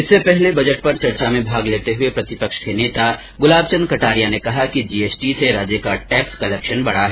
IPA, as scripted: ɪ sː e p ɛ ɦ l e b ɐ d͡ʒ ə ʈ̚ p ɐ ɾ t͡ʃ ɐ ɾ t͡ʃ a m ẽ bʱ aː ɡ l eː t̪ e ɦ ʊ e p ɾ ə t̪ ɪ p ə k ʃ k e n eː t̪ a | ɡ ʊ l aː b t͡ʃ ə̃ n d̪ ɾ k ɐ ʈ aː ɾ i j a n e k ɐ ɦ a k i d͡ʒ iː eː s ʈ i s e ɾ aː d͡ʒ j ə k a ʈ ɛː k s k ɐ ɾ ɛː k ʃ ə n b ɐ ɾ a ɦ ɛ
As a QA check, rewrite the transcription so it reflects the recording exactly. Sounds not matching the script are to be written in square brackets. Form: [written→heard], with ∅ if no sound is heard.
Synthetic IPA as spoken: ɪ sː e p ɛ ɦ l e b ɐ d͡ʒ ə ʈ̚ p ɐ ɾ t͡ʃ ɐ ɾ t͡ʃ a m ẽ bʱ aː ɡ l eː t̪ e ɦ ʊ e p ɾ [ə→ɐ] t̪ ɪ p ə k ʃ k e n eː t̪ a | ɡ ʊ l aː b t͡ʃ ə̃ n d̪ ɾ k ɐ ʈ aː ɾ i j a n e k ɐ ɦ a k i d͡ʒ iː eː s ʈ i s e ɾ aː d͡ʒ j ə k a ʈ ɛː k s k ɐ [ɾ→l] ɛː k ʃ ə n b ɐ [ɾ→ɽ] a ɦ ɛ